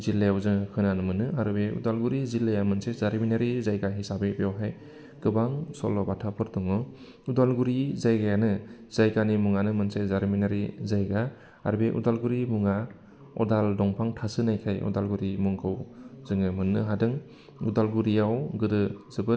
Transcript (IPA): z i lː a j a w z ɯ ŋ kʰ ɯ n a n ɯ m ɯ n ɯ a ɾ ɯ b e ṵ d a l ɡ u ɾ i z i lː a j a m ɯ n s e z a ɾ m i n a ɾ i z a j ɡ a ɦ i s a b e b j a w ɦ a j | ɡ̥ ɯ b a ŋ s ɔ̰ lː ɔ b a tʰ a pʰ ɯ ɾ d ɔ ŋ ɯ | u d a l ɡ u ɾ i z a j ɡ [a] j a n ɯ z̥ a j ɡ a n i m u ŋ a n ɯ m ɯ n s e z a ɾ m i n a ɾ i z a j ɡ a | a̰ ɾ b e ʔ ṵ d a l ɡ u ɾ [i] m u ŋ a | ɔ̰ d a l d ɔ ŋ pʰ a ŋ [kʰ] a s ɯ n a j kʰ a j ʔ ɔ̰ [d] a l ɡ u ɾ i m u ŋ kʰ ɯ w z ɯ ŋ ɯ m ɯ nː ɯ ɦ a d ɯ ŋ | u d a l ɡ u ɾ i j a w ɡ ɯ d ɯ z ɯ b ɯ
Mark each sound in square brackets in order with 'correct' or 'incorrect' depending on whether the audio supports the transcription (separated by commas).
correct, correct, incorrect, correct